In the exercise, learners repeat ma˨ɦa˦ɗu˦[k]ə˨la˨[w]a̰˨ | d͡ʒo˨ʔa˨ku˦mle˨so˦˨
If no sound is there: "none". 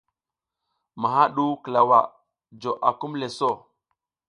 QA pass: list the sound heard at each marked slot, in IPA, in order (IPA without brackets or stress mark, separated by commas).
k, w